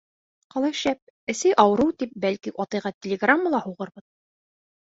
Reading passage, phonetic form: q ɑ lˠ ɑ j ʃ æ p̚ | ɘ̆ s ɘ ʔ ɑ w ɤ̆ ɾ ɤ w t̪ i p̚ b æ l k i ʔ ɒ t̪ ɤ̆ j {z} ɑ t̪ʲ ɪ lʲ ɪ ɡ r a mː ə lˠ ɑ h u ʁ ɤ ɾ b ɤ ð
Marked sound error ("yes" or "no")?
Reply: yes